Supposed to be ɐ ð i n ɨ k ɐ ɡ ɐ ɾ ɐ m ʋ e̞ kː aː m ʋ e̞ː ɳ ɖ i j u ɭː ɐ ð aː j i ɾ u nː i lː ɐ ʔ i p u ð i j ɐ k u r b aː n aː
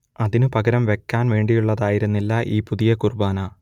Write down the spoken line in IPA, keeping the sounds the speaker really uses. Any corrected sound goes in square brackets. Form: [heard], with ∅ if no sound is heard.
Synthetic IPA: ɐ ð i n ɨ [p] ɐ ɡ ɐ ɾ ɐ m ʋ e̞ kː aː [n] ʋ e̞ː ɳ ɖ i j u ɭː ɐ ð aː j i ɾ u nː i lː ɐ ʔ [iː] p u ð i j ɐ k u r b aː n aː